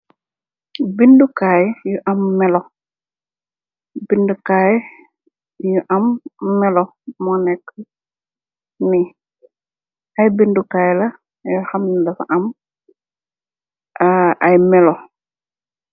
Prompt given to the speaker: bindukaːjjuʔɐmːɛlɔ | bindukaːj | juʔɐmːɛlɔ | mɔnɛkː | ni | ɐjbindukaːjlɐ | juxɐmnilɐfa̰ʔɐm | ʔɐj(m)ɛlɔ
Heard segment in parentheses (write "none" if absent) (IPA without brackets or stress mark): m